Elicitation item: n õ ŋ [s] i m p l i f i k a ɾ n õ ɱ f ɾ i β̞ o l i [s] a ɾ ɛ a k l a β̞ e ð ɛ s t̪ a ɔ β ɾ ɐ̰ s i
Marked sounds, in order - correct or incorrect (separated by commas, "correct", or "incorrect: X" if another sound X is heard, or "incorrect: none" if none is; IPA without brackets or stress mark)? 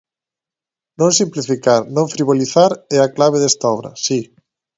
correct, incorrect: θ